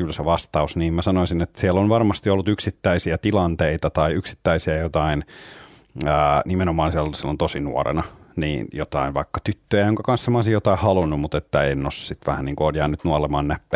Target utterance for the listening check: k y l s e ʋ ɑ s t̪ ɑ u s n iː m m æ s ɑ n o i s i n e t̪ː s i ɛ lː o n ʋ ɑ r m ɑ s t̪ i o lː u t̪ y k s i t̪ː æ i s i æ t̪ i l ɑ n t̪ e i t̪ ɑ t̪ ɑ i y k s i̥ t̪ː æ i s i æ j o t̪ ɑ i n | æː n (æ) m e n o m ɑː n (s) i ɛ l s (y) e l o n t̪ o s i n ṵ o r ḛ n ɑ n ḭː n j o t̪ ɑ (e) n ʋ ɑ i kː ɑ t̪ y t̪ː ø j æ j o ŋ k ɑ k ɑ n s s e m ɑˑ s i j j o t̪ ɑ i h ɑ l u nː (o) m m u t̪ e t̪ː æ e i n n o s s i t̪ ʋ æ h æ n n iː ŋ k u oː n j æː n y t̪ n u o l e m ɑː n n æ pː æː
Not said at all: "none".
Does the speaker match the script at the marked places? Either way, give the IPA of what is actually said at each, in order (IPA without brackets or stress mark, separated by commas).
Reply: i, s, i, i, u